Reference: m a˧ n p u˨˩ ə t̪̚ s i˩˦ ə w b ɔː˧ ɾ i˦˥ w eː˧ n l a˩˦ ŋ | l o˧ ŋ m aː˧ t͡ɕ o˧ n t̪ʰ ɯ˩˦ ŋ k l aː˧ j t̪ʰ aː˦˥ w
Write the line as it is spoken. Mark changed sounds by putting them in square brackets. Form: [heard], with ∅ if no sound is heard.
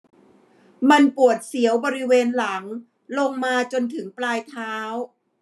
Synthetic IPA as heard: m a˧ n p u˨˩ ə t̪̚ s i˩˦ ə w b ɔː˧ ɾ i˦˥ w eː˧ n l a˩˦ ŋ | l o˧ ŋ m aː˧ t͡ɕ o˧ n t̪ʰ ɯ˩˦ ŋ [p] l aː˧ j t̪ʰ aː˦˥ w